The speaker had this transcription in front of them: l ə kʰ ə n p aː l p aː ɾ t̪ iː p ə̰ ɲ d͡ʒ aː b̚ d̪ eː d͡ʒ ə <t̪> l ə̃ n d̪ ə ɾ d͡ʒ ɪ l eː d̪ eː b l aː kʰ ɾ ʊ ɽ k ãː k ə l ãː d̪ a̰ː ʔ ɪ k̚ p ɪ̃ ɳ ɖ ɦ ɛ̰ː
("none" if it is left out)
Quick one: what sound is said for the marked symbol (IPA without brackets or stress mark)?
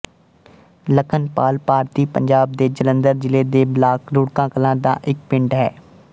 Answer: none